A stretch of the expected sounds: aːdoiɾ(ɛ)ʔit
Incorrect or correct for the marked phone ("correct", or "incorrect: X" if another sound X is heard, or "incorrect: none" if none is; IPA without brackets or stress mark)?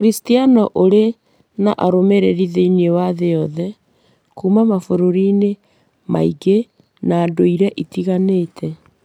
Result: correct